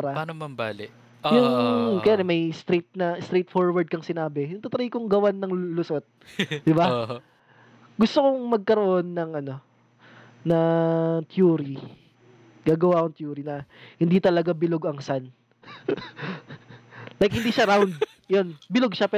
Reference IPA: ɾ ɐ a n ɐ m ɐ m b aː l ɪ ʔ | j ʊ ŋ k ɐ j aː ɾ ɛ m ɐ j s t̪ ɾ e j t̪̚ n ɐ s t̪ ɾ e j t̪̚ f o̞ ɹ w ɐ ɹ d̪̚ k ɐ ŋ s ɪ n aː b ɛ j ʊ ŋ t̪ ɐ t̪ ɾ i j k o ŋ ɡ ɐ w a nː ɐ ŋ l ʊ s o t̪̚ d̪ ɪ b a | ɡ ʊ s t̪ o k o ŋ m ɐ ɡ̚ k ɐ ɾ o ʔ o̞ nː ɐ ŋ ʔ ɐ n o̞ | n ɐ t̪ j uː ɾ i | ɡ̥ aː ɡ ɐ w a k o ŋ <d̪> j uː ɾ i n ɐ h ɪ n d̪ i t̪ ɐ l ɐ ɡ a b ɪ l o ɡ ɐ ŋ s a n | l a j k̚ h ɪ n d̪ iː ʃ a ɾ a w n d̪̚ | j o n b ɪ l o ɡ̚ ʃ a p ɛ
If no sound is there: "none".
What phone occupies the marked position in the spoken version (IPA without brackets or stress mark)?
t̪